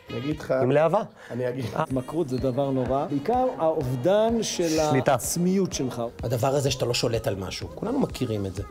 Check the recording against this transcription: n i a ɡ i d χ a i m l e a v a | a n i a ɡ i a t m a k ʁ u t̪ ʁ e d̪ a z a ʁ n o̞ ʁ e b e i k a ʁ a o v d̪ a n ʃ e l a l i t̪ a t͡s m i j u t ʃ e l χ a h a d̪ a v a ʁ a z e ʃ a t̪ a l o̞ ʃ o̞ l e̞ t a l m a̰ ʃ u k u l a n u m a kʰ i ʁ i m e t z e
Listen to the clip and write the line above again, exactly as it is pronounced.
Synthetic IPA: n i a ɡ i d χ a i m l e a v a | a n i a ɡ i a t m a k ʁ u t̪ z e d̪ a v a ʁ n o̞ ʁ a b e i k a ʁ a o v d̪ a n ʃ e l a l i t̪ a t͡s m i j u t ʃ e l χ a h a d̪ a v a ʁ a z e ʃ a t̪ a l o̞ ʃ o̞ l e̞ t a l m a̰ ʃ u k u l a n u m a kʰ i ʁ i m e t z e